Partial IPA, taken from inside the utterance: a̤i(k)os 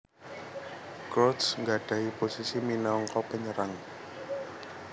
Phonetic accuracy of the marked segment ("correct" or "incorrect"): incorrect